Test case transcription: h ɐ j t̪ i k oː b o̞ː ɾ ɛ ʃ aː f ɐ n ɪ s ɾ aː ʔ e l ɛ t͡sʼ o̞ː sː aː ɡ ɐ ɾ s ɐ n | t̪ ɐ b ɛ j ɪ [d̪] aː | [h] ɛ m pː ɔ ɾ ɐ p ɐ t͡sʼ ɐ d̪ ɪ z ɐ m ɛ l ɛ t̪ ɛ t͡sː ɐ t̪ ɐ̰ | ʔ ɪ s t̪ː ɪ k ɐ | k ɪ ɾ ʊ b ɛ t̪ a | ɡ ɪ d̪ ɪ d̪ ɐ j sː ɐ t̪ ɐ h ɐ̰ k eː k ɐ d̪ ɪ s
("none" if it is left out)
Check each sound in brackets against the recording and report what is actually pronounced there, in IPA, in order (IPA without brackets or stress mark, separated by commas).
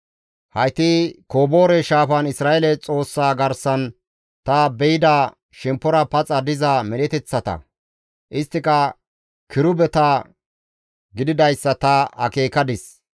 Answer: d̪, ʃ